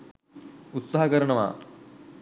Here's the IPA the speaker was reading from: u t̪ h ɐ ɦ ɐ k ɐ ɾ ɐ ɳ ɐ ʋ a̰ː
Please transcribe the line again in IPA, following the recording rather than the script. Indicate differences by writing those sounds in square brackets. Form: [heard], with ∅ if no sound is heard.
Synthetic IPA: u t̪ [s] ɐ ɦ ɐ k ɐ ɾ ɐ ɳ ɐ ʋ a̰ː